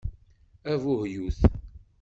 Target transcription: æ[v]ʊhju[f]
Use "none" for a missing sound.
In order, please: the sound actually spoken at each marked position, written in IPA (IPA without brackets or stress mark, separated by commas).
v, θ